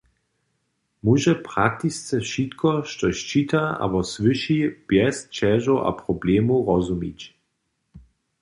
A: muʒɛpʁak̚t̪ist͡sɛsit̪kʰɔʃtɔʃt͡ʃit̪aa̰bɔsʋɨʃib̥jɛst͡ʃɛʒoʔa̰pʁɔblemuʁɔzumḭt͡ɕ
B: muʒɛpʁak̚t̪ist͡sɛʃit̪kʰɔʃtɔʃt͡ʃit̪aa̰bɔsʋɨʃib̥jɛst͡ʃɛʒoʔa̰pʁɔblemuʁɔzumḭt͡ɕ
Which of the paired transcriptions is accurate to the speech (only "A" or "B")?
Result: B